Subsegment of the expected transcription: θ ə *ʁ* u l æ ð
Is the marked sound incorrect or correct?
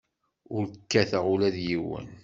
correct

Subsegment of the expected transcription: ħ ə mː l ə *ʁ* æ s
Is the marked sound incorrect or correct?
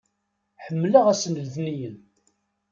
correct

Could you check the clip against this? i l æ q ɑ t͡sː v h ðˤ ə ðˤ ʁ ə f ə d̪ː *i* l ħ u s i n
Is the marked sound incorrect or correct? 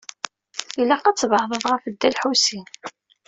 incorrect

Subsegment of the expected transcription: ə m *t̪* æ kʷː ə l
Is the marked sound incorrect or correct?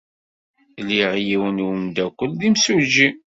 incorrect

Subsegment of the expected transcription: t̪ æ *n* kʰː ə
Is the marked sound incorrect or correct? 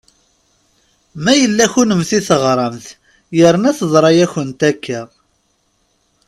incorrect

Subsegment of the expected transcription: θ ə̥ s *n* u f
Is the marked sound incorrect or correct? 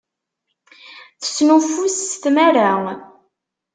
correct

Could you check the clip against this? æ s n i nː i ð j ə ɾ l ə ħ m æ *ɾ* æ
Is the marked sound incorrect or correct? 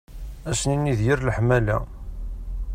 incorrect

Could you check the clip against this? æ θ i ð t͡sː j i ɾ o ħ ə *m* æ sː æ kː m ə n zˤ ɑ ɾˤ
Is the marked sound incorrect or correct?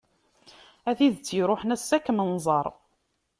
incorrect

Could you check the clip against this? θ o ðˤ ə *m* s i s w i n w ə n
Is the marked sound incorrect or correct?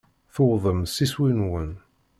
correct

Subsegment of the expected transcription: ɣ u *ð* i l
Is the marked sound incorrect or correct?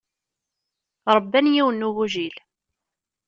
incorrect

